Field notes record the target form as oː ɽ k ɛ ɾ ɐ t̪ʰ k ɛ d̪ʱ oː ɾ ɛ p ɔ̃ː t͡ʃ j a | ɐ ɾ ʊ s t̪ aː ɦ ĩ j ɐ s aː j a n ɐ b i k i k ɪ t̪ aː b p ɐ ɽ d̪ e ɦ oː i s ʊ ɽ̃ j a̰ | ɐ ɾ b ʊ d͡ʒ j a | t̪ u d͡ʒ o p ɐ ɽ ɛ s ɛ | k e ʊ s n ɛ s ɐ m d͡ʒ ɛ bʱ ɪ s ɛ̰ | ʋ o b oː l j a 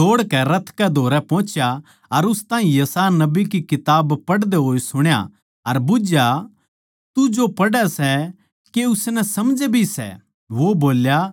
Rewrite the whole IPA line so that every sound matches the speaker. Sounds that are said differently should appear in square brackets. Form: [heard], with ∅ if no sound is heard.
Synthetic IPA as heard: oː ɽ k ɛ ɾ ɐ t̪ʰ k ɛ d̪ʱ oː ɾ ɛ p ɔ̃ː t͡ʃ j a | ɐ ɾ ʊ s t̪ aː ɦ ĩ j ɐ s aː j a n ɐ b i k i k ɪ t̪ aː b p ɐ ɽ d̪ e ɦ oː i s ʊ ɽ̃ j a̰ | ɐ ɾ b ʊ d͡ʒ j a | t̪ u d͡ʒ o p ɐ ɽ ɛ s ɛ | k e ʊ s n ɛ s ɐ m d͡ʒ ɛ bʱ [i] s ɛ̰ | ʋ o b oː l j a